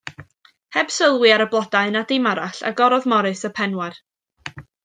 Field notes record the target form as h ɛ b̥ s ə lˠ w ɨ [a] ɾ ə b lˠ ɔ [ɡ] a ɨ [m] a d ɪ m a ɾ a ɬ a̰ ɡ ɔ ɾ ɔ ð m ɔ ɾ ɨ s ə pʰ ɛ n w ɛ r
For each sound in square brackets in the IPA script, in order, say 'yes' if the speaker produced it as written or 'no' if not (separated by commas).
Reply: yes, no, no